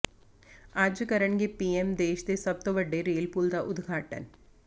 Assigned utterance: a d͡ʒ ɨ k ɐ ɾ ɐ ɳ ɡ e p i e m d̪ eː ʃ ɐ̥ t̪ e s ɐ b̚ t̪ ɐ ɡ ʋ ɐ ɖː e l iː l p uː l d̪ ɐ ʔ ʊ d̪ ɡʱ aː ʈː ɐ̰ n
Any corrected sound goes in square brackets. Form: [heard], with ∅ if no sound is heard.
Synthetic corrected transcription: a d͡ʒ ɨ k ɐ ɾ ɐ ɳ ɡ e p i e m d̪ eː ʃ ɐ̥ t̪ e s ɐ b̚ t̪ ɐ [∅] ʋ ɐ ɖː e [ɾ] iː l p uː l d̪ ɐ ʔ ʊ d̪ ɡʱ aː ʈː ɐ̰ n